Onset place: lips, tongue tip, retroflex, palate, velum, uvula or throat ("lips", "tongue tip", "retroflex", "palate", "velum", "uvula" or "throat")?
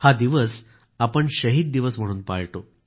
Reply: throat